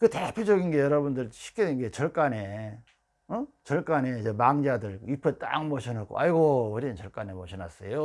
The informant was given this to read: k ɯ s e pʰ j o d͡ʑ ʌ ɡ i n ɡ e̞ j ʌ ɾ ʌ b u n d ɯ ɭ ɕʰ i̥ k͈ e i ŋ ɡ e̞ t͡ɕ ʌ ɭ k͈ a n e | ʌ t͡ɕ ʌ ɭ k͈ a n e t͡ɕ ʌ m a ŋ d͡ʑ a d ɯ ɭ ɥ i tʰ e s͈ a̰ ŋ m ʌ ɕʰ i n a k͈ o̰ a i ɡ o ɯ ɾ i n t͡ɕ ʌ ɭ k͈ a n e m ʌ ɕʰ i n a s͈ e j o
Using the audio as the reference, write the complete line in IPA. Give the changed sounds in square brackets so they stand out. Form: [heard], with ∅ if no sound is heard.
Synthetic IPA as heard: k ɯ [t] e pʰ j o d͡ʑ ʌ ɡ i n ɡ e̞ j ʌ ɾ ʌ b u n d ɯ ɭ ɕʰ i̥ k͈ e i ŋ ɡ e̞ t͡ɕ ʌ ɭ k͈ a n e | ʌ t͡ɕ ʌ ɭ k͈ a n e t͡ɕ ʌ m a ŋ d͡ʑ a d ɯ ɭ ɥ i [pʰ] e [t͈] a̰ ŋ m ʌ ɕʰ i n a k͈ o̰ a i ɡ o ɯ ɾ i n t͡ɕ ʌ ɭ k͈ a n e m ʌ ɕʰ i n a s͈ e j o